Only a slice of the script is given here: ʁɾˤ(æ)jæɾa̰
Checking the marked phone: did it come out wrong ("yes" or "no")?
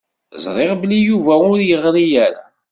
yes